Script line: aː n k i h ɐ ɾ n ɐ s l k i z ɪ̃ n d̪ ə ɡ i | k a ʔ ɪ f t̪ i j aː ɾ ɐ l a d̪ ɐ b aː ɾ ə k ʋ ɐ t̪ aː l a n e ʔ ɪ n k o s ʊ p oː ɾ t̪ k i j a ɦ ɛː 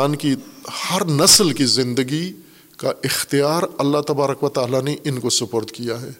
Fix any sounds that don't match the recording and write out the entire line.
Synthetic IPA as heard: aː n k i h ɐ ɾ n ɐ s l k i z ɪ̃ n d̪ ə ɡ i | k a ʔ ɪ x t̪ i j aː ɾ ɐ lː a t̪ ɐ b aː ɾ ə k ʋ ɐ t̪ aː l a n e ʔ ɪ n k o s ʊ p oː ɾ t̪ k i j a ɦ ɛː